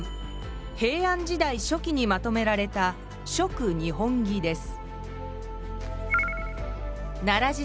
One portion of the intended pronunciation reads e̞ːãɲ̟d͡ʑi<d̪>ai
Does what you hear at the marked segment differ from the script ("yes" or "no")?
no